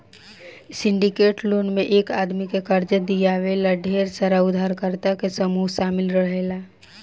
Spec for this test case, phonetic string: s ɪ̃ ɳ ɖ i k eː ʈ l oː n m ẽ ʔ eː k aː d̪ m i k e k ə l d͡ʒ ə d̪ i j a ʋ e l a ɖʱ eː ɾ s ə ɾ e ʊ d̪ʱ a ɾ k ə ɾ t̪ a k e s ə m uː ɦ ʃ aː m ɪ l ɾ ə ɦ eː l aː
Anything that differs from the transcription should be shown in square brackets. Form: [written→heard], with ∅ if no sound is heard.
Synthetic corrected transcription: s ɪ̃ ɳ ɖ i k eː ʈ l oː n m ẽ ʔ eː k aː d̪ m i k e k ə [l→ɾ] d͡ʒ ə d̪ i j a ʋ e l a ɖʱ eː ɾ s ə ɾ [e→a] ʊ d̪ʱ a ɾ k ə ɾ t̪ a k e s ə m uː ɦ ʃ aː m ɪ l ɾ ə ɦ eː l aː